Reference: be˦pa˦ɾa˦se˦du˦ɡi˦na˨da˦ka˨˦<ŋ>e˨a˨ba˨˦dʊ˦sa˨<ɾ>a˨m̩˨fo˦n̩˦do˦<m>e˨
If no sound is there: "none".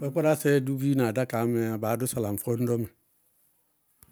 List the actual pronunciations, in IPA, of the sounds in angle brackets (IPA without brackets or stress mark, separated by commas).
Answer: m, l, m